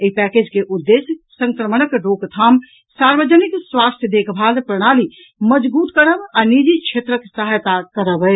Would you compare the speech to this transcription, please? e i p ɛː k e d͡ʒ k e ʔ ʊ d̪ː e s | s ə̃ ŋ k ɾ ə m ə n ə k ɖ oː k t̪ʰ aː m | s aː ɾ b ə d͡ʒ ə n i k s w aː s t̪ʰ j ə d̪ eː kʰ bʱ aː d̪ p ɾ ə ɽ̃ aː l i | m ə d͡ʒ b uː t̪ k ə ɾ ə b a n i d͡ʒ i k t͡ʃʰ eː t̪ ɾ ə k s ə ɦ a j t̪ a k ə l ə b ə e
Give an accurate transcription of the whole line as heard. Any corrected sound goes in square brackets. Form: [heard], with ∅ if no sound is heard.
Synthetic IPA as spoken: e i p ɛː k e d͡ʒ k e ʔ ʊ d̪ː e s | s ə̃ ŋ k ɾ ə m ə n ə k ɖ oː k t̪ʰ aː m | s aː ɾ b ə d͡ʒ ə n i k s w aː s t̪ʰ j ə d̪ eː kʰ bʱ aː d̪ p ɾ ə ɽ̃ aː l i | m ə d͡ʒ b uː t̪ k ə ɾ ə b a n i d͡ʒ i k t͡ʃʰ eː t̪ ɾ ə k s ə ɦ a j t̪ a k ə [ɾ] ə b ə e